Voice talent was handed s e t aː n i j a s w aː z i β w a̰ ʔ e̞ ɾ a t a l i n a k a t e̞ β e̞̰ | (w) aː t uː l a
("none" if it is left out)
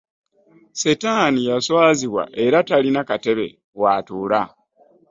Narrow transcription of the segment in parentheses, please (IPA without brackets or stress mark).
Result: w